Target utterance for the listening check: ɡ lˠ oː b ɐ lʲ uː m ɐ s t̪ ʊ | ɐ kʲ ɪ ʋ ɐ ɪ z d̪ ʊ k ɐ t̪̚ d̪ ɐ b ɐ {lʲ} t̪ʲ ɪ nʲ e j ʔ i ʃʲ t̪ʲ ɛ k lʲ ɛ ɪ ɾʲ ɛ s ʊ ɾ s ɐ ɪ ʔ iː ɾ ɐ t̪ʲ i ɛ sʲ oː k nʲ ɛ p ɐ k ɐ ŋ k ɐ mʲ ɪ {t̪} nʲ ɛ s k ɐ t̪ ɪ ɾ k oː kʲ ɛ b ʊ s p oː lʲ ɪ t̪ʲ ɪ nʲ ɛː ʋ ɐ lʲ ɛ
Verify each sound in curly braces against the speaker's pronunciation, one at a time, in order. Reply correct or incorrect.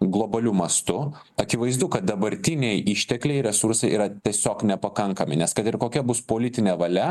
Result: incorrect: ɾʲ, incorrect: none

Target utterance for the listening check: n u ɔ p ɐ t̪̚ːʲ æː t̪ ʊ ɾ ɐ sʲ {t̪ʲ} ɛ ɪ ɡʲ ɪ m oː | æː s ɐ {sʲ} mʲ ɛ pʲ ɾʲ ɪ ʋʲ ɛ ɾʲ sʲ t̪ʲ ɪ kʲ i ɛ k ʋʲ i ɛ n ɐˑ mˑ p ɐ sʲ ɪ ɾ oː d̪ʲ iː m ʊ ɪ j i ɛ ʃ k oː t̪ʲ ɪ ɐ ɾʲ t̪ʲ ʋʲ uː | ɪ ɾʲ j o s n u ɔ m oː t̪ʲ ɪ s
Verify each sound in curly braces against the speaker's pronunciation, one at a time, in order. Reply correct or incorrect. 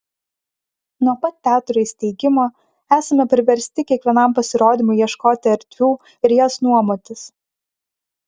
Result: correct, incorrect: none

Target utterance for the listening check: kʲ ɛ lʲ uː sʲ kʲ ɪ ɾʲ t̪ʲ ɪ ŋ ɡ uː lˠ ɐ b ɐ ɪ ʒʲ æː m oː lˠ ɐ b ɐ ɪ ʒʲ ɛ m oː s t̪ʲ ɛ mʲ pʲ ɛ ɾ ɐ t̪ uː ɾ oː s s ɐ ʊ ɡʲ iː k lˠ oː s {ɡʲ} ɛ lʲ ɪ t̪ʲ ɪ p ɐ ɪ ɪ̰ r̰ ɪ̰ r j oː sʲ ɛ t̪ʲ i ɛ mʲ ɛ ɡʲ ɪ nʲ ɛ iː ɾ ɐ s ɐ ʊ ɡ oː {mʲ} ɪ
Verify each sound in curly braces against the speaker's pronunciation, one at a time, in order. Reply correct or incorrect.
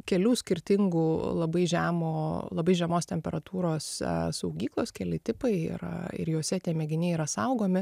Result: incorrect: kʲ, correct

